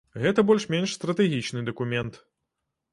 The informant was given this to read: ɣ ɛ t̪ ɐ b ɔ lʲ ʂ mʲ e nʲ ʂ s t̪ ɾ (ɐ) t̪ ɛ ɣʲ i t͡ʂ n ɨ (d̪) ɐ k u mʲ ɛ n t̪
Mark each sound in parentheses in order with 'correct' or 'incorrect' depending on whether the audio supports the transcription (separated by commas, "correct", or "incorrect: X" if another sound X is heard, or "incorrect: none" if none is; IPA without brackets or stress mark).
correct, correct